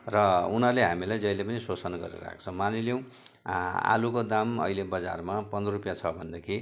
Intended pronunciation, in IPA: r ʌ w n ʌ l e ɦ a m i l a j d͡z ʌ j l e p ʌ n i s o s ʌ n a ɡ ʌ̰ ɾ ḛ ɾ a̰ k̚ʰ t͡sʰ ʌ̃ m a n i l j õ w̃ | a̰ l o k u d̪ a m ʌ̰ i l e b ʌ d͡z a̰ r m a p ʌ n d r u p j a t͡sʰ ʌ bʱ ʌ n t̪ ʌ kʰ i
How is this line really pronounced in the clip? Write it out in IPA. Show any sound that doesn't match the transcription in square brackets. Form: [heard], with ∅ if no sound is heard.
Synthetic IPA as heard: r ʌ [u] n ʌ l e ɦ a m i l a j d͡z ʌ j l e p ʌ n i s o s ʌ n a ɡ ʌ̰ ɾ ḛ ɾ a̰ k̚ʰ t͡sʰ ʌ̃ m a n i l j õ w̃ | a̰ l [u] k [o] d̪ a m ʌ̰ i l e b ʌ d͡z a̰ r m a p ʌ n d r u p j a t͡sʰ ʌ bʱ ʌ n [d̪] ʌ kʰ i